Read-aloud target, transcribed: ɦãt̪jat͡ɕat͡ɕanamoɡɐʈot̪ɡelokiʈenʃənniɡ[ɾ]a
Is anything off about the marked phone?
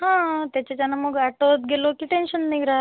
no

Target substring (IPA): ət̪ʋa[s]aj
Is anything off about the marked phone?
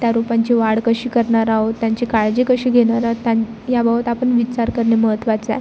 yes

